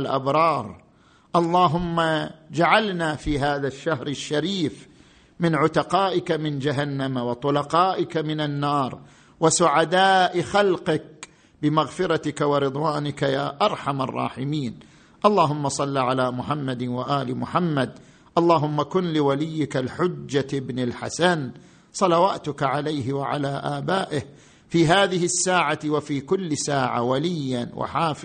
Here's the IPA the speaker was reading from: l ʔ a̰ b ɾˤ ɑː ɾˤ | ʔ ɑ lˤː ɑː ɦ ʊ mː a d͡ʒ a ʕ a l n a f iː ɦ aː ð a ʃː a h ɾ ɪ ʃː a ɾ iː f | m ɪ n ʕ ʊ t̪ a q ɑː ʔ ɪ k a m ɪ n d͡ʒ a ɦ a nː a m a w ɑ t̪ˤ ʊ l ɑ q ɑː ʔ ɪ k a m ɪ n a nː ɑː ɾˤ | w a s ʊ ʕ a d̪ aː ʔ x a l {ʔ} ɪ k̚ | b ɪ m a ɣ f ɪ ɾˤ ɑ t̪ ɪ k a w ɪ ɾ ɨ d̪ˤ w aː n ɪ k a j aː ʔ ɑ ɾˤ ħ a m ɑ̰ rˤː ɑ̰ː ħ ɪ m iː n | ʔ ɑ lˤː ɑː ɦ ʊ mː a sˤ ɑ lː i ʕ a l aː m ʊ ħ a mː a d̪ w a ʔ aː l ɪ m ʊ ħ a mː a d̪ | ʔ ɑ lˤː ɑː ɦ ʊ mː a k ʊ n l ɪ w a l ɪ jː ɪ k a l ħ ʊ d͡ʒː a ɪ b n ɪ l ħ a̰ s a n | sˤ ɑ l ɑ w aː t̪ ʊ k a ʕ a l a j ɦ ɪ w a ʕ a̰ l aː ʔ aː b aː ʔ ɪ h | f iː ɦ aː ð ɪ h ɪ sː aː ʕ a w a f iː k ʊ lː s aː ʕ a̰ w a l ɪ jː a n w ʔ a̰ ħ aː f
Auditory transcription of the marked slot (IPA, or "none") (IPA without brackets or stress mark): q